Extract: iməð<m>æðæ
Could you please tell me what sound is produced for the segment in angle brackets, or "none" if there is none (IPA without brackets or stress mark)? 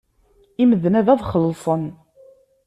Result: n